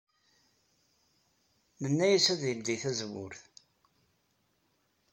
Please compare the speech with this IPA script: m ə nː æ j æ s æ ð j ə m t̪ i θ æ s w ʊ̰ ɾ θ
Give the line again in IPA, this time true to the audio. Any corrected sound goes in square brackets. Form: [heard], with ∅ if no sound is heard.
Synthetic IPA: m ə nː æ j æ s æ ð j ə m [d̪] i θ æ [z] w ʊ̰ ɾ θ